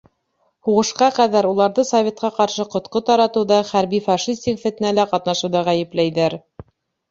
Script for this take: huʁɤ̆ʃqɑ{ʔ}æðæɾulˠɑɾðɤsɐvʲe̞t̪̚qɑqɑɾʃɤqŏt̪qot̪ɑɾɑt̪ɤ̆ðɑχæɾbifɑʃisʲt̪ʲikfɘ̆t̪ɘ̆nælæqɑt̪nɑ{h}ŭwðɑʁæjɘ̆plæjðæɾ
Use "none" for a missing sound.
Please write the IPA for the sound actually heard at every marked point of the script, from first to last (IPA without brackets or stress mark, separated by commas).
q, ʃ